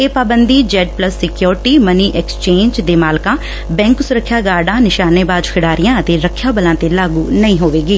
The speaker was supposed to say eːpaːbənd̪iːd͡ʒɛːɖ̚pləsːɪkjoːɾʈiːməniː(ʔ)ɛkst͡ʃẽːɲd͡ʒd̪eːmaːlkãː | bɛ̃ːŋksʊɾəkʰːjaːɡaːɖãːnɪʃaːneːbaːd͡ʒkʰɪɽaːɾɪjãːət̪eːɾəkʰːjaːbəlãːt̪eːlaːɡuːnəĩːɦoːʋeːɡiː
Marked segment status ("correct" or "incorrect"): correct